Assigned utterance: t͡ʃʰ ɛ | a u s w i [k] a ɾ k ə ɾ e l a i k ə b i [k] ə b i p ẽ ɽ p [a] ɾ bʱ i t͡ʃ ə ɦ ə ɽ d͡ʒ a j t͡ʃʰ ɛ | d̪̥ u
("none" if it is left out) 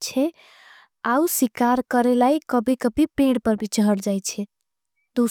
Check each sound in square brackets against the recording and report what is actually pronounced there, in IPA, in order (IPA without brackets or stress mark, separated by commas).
k, k, ə